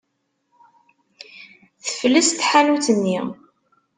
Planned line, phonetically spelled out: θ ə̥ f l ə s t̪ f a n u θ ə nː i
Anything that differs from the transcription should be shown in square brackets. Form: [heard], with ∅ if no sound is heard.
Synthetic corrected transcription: θ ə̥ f l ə s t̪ [ħ] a n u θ ə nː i